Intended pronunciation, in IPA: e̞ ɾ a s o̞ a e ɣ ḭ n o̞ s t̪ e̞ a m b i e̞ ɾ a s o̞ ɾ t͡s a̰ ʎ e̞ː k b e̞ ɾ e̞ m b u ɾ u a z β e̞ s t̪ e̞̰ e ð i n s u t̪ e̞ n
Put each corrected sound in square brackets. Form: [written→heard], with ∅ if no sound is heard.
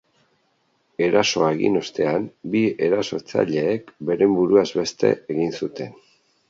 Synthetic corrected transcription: e̞ ɾ a s o̞ a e ɣ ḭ n o̞ s t̪ e̞ a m b i e̞ ɾ a s o̞ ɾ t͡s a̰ ʎ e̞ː k b e̞ ɾ e̞ m b u ɾ u a z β e̞ s t̪ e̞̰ e [ð→ɣ] i n s u t̪ e̞ n